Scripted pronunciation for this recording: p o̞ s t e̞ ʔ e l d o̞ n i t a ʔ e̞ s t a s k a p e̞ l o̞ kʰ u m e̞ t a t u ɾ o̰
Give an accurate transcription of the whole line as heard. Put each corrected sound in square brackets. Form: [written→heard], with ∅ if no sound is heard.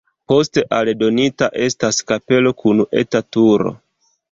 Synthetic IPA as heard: p o̞ s t e̞ ʔ [e→a] l d o̞ n i t a ʔ e̞ s t a s k a p e̞ l o̞ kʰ u [m→n] e̞ t a t u ɾ o̰